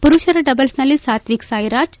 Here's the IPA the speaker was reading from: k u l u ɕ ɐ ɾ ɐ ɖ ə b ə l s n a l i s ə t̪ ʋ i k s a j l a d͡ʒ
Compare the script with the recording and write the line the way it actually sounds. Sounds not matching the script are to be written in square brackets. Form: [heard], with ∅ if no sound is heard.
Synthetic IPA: [p] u [ɾ] u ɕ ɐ ɾ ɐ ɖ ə b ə l s n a l i s [a] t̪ ʋ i k s a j [ɾ] a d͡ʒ